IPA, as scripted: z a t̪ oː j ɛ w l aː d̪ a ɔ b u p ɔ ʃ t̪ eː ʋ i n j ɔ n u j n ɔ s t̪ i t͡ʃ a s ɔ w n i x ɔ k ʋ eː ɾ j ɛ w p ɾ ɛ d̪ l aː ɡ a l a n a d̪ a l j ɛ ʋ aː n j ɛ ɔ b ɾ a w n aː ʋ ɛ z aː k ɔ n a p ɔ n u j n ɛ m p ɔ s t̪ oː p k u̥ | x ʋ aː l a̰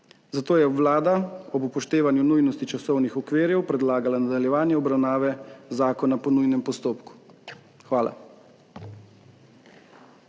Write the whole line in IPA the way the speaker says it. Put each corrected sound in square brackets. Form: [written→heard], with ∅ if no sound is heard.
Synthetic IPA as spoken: z a t̪ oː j ɛ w l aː d̪ a ɔ b u p ɔ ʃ t̪ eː ʋ [i→a] n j [ɔ→u] n u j n ɔ s t̪ i t͡ʃ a s ɔ w n i x ɔ k ʋ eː ɾ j ɛ w p ɾ ɛ d̪ l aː ɡ a l a n a d̪ a l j ɛ ʋ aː n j ɛ ɔ b ɾ a w n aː ʋ ɛ z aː k ɔ n a p ɔ n u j n ɛ m p ɔ s t̪ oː p k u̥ | x ʋ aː l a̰